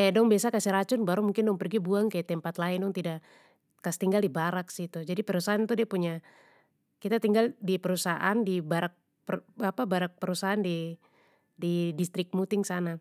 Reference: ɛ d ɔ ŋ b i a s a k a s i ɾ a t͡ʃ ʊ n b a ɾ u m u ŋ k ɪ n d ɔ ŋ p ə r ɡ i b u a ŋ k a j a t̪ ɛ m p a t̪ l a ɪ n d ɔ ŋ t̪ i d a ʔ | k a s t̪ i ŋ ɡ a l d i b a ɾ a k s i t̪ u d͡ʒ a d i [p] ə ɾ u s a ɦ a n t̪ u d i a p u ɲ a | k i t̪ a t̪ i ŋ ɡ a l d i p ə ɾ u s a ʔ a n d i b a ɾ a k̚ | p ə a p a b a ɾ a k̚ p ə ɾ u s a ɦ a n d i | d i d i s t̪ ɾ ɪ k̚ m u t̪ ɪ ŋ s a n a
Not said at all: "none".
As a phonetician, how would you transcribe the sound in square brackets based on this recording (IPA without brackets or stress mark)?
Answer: p